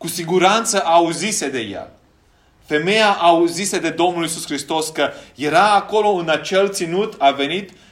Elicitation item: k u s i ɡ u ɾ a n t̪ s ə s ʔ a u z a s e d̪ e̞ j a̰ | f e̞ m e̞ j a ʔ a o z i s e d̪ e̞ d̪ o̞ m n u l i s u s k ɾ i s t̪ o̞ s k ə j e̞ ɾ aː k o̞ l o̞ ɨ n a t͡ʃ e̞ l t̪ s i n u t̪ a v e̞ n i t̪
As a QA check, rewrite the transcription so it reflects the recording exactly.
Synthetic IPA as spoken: k u s i ɡ u ɾ a n t̪ s ə ʔ a u z i s e d̪ e̞ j a̰ | f e̞ m e̞ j a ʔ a u z i s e d̪ e̞ d̪ o̞ m n u l i s u s k ɾ i s t̪ o̞ s k ə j e̞ ɾ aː k o̞ l o̞ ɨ n a t͡ʃ e̞ l t̪ s i n u t̪ a v e̞ n i t̪